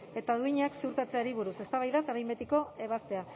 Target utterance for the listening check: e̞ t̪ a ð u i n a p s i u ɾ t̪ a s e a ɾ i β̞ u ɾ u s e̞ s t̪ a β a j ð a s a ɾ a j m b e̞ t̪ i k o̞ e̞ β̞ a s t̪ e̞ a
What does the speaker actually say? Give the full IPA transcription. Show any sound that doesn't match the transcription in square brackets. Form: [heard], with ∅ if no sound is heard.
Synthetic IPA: e̞ t̪ a ð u i [ɲ] a [k] s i u ɾ t̪ a [t͡s] e a ɾ i β̞ u ɾ u s e̞ s t̪ a β a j ð a s a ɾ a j m b e̞ t̪ i k o̞ e̞ β̞ a s t̪ e̞ a